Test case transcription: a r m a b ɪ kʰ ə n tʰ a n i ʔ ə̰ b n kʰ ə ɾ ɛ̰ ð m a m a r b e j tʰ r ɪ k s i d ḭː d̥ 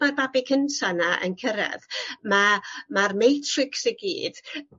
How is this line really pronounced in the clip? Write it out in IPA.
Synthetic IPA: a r b a b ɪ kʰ ə n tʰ a n a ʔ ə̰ n kʰ ə ɾ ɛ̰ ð m a m a r m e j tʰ r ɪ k s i ɡ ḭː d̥